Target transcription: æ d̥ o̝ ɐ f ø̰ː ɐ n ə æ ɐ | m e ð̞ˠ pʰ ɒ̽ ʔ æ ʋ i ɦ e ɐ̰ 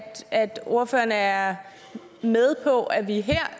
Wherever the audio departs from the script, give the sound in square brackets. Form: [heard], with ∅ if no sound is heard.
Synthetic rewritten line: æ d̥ o̝ ɐ f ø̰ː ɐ n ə æ ɐ | m e ð̞ˠ pʰ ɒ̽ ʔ æ ʋ i ɦ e ɐ̰